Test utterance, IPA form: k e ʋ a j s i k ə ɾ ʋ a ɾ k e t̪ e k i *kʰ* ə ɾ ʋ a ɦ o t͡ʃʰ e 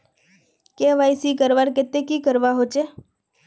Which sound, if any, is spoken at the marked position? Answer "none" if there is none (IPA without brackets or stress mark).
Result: k